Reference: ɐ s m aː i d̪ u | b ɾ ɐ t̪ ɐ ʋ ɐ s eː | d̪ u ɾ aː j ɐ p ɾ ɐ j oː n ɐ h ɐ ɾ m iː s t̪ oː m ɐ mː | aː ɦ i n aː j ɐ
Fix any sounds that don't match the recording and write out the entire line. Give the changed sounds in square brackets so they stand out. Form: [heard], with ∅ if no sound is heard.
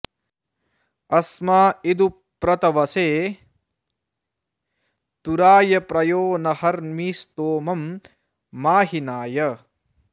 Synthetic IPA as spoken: ɐ s m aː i d̪ u | [p] ɾ ɐ t̪ ɐ ʋ ɐ s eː | [t̪] u ɾ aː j ɐ p ɾ ɐ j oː n ɐ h ɐ ɾ m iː s t̪ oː m ɐ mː | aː ɦ i n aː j ɐ